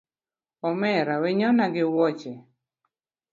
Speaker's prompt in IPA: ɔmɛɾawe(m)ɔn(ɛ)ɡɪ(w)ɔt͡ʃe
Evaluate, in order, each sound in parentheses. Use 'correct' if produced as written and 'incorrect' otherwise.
incorrect: ɲ, incorrect: a, correct

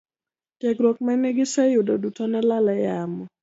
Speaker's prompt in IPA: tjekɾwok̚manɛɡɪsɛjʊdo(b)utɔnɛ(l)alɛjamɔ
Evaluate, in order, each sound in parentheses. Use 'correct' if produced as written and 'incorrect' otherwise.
incorrect: d, correct

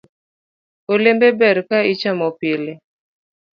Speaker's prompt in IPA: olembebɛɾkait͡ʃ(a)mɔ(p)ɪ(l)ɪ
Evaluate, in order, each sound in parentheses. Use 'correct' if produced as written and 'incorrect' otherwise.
correct, correct, correct

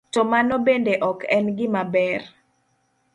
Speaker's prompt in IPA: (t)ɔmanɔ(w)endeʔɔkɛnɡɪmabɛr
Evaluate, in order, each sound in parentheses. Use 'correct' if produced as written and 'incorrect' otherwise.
correct, incorrect: b

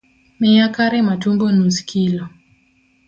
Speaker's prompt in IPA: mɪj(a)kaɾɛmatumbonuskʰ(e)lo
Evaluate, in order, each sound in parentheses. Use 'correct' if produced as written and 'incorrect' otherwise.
correct, incorrect: i

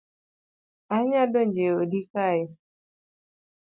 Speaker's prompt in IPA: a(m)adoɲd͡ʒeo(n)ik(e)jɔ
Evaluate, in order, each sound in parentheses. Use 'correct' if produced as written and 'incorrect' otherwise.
incorrect: ɲ, incorrect: d, incorrect: a

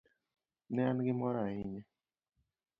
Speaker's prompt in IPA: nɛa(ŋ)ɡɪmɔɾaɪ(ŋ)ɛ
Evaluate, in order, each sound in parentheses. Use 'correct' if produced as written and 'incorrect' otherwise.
incorrect: n, incorrect: ɲ

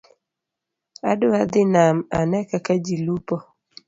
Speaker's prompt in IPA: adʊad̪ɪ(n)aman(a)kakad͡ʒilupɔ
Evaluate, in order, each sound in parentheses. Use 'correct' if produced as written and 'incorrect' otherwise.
correct, incorrect: ɛ

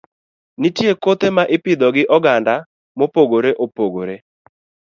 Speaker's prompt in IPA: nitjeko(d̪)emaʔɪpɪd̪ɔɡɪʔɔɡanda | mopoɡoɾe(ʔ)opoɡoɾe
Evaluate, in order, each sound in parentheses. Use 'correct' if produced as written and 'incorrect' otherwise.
incorrect: t̪, correct

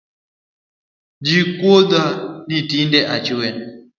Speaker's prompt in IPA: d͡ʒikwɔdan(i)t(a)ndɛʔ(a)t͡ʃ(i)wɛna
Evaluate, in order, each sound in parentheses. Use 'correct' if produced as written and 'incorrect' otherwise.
correct, incorrect: i, correct, correct

